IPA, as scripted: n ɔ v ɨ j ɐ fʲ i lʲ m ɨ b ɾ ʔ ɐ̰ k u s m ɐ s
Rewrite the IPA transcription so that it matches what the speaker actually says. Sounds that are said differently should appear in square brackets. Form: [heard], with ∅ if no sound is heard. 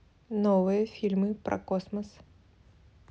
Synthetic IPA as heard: n ɔ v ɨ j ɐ fʲ i lʲ m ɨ [p] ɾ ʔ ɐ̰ k [ɔ] s m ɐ s